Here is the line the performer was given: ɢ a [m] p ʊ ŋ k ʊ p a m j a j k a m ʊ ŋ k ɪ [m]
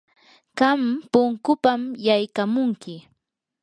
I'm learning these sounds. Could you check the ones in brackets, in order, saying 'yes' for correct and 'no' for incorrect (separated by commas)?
yes, no